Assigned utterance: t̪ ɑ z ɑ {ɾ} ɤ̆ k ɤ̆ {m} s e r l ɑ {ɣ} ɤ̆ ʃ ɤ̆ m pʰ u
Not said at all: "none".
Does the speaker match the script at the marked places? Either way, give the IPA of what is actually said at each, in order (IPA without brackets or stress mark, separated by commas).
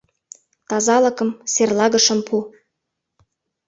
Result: l, m, ɣ